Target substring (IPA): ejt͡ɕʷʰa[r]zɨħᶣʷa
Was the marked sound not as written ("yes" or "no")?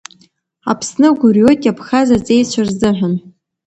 no